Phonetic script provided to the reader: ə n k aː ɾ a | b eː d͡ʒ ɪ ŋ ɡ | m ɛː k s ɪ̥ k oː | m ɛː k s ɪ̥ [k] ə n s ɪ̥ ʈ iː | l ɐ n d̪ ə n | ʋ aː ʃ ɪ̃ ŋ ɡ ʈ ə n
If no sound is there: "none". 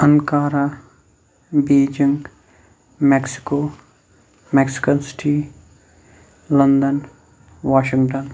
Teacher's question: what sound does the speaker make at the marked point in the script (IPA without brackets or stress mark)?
k